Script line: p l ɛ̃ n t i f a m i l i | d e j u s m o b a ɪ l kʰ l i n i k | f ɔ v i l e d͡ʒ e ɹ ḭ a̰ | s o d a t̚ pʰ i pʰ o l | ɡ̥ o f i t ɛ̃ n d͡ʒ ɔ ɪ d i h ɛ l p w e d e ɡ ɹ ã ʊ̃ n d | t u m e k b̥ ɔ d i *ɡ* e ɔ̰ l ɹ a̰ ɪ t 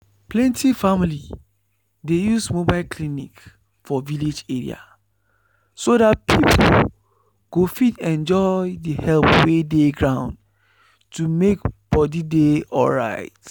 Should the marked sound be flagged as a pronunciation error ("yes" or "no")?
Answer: yes